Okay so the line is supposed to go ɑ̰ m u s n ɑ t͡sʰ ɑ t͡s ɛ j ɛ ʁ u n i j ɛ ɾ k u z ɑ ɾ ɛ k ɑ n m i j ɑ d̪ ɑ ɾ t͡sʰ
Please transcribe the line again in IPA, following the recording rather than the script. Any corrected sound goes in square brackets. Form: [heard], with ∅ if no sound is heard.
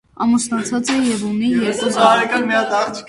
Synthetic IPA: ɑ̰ m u s n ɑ t͡sʰ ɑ t͡s ɛ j ɛ [v] u n i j ɛ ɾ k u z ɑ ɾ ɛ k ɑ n m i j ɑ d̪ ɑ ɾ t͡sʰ